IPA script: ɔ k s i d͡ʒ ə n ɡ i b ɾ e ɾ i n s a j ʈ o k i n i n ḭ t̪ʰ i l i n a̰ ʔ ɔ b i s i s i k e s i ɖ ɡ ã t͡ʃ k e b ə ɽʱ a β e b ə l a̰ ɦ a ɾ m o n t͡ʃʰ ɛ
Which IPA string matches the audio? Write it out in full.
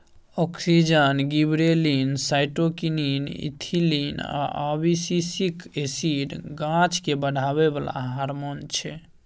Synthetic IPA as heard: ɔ k s i d͡ʒ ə n ɡ i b ɾ e l i n s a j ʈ o k i n i n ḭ t̪ʰ i l i n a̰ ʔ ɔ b i s i s i k e s i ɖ ɡ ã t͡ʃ k e b ə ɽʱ a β e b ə l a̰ ɦ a ɾ m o n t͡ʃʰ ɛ